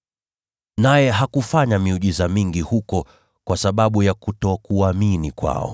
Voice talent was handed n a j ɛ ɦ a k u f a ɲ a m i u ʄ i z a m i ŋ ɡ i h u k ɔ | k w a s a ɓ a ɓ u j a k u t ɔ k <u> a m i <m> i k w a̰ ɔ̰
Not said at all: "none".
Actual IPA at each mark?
u, n

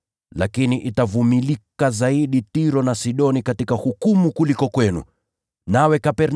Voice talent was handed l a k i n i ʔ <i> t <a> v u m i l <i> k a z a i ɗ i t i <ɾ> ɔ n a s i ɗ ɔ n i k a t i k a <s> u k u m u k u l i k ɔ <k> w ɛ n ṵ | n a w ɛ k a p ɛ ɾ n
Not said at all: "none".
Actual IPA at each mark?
i, a, i, ɾ, h, k

